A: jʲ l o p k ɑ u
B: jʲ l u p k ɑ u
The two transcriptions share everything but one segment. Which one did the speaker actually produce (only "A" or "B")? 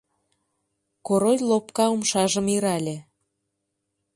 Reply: A